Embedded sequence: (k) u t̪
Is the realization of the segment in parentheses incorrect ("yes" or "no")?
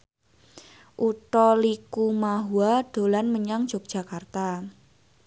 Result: yes